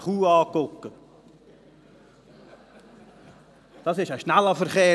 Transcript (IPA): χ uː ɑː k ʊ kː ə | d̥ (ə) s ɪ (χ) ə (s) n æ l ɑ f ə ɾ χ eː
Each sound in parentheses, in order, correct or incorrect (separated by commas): incorrect, incorrect, incorrect